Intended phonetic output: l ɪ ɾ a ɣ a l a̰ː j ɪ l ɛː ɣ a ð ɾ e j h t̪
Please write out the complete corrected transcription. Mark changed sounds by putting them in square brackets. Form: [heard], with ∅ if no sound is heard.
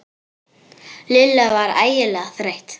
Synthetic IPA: l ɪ [l] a [v] a [ɾ] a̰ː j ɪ l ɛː ɣ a [θ] ɾ e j h t̪